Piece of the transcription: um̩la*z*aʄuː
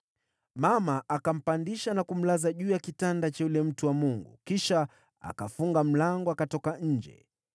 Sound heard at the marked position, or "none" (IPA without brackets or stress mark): z